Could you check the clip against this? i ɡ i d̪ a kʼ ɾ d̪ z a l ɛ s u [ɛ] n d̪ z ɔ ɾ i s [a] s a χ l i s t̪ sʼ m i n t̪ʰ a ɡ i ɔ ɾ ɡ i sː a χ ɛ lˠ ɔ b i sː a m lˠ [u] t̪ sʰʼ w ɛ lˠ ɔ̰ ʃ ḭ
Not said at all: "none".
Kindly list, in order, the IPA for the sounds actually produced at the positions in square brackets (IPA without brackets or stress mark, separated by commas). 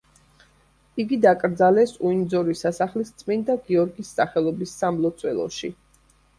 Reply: i, a, ɔ